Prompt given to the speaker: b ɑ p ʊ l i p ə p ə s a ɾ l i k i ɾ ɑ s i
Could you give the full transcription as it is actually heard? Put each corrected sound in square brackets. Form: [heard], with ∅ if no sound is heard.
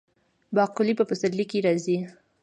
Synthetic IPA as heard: b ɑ [q] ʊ l i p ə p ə s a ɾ l i k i ɾ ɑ [z] i